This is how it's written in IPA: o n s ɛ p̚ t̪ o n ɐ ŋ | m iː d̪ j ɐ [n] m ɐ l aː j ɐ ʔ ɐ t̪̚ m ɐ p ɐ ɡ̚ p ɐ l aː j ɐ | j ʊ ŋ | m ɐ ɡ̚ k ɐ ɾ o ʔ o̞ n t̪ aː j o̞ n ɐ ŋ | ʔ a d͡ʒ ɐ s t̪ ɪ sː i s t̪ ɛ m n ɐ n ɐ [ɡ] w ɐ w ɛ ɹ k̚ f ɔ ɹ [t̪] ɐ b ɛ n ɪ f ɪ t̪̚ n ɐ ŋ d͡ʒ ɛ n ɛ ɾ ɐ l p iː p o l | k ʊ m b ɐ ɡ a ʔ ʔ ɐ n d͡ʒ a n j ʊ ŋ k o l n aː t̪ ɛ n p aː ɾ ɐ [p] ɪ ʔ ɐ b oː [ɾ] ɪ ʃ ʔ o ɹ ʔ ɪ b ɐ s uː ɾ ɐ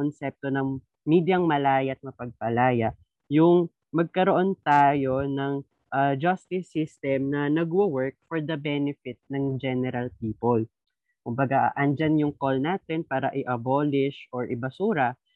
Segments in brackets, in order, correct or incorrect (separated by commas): incorrect, correct, incorrect, incorrect, incorrect